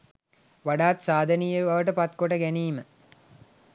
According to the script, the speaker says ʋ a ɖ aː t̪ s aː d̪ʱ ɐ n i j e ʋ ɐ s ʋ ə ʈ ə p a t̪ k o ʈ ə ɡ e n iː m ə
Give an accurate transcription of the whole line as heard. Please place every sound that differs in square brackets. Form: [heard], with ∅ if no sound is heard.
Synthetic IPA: ʋ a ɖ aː t̪ s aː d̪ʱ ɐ n i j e ʋ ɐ [∅] ʋ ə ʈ ə p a t̪ k o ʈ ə ɡ [æ] n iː m ə